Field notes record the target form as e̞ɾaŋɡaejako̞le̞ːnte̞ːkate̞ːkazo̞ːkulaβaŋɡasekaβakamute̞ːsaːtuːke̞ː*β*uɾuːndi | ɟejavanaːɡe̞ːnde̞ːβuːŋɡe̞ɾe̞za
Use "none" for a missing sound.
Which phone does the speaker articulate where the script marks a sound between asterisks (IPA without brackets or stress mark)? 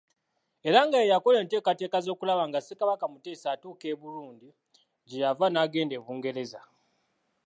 β